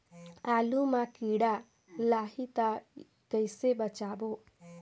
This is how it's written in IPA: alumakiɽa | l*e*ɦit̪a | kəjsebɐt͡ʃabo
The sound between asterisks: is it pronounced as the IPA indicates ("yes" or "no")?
no